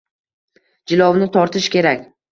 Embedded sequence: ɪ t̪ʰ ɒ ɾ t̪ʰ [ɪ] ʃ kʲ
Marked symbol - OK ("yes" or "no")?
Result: yes